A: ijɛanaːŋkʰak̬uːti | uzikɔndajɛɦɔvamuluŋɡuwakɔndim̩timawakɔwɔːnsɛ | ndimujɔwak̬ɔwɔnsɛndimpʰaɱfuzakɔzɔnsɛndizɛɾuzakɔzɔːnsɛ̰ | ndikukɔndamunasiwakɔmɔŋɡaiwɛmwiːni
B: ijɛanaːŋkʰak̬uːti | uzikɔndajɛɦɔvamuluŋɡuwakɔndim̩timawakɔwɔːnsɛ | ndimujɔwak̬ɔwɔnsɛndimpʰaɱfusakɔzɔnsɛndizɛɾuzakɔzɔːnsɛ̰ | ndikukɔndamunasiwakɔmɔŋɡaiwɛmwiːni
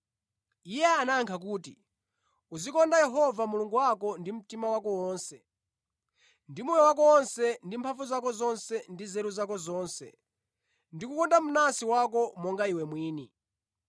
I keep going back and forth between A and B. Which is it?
A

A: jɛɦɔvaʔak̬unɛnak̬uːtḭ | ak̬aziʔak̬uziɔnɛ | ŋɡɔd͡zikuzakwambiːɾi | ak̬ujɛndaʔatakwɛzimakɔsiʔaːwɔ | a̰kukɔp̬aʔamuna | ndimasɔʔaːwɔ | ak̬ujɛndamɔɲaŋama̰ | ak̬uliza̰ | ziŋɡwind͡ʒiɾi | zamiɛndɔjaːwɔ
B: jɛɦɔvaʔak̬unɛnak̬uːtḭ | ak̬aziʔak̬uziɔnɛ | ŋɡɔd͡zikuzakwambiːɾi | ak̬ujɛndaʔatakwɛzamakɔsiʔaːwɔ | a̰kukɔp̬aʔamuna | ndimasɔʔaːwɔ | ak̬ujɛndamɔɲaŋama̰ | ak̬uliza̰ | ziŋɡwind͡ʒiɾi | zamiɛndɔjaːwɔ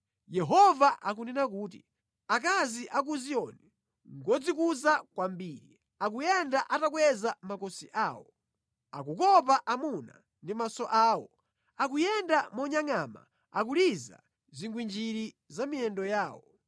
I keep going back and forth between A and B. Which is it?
B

